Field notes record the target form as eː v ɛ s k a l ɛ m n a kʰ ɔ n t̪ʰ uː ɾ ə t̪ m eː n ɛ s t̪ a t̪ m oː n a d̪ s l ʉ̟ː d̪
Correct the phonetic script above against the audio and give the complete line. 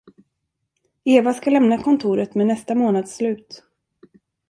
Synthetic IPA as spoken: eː v a s k a l ɛ m n a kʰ ɔ n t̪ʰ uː ɾ ə t̪ m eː n ɛ s t̪ a m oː n a d̪ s l ʉ̟ː t̪